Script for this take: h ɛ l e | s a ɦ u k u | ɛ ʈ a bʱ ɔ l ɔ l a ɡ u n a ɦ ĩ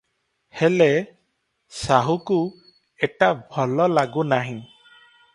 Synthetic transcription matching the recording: h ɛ l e | s a ɦ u k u | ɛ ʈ a bʱ ɔ l ɔ l a ɡ u n a ɦ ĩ